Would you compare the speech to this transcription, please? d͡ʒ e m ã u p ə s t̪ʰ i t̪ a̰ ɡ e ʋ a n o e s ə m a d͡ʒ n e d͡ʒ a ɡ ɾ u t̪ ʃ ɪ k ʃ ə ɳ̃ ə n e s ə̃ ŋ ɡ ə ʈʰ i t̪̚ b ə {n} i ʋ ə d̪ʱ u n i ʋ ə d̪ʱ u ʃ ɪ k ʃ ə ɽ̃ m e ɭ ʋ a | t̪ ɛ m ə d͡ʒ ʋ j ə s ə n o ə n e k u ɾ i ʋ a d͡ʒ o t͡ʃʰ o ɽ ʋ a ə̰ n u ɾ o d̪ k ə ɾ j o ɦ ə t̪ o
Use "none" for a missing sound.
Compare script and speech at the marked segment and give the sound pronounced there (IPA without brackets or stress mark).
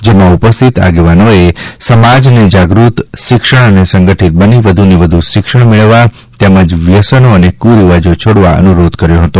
n